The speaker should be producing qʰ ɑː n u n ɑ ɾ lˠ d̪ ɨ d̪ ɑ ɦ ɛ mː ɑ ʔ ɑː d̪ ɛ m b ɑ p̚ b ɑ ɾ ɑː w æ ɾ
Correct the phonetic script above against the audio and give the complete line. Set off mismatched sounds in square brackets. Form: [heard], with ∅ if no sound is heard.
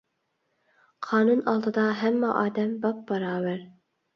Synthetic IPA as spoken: qʰ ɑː n u n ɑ [∅] lˠ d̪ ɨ d̪ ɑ ɦ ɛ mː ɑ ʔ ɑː d̪ ɛ m b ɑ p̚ b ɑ ɾ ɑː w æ ɾ